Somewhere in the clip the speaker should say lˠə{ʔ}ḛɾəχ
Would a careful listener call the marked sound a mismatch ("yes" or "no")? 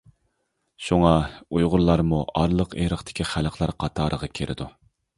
yes